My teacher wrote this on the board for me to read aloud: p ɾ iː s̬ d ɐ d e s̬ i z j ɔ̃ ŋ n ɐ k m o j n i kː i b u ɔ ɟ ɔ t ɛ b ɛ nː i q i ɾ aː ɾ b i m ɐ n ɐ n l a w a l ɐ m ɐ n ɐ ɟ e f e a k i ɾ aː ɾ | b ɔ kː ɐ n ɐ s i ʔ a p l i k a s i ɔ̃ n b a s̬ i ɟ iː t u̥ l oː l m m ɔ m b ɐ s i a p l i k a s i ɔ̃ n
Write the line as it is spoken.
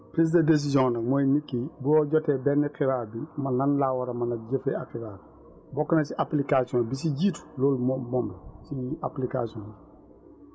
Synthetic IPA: p ɾ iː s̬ d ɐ d e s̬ i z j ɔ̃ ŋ n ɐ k m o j n i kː i b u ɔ ɟ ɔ t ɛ b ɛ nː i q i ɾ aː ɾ b i m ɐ n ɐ n l a w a ɾ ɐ m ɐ n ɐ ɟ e f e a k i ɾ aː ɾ | b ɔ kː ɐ n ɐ s i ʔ a p l i k a s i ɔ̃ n b i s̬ i ɟ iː t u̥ l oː l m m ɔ m b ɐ s i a p l i k a s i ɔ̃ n